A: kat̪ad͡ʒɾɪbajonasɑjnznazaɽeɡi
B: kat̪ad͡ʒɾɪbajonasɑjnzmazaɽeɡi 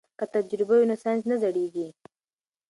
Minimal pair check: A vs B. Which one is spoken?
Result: A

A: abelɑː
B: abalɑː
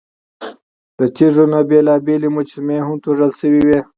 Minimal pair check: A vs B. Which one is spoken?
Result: A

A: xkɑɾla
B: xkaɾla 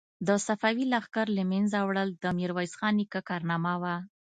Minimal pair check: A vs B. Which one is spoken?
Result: B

